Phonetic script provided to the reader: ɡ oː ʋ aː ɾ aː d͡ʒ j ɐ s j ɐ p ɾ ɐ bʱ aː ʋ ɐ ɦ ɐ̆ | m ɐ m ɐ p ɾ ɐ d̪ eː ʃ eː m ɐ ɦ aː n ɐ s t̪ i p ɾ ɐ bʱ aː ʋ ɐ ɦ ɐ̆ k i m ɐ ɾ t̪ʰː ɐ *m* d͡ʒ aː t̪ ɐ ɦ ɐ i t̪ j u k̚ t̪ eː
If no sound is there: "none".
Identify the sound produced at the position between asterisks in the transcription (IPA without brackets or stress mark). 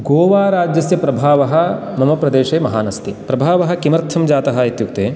m